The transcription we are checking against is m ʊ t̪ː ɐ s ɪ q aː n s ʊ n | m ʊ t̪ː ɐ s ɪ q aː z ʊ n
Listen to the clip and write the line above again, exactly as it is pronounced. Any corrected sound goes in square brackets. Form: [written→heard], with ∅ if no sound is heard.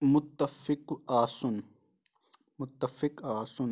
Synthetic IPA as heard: m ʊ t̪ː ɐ [s→f] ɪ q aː [n→∅] s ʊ n | m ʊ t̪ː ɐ [s→f] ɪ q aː [z→s] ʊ n